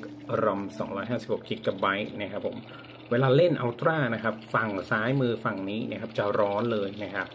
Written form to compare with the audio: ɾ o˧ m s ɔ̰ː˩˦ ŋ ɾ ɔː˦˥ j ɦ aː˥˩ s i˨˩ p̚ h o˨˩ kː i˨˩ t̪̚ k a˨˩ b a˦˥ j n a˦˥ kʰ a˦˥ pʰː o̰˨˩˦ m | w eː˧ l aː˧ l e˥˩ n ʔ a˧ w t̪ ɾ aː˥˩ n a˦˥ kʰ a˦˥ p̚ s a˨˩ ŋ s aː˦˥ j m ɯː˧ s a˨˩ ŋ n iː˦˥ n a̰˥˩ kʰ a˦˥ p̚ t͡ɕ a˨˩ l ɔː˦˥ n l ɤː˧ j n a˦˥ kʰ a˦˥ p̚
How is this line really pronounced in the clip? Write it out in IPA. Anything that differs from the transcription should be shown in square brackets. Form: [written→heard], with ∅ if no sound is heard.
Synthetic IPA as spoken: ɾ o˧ m s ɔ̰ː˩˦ ŋ ɾ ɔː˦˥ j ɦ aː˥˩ s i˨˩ p̚ h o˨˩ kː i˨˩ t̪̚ k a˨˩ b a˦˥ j n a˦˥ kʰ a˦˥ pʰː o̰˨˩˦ m | w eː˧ l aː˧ l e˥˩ n ʔ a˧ w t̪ ɾ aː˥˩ n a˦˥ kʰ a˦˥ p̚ [s→f] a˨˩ ŋ s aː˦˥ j m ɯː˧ [s→f] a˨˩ ŋ n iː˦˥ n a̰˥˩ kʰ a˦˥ p̚ t͡ɕ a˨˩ [l→ɾ] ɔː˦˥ n l ɤː˧ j n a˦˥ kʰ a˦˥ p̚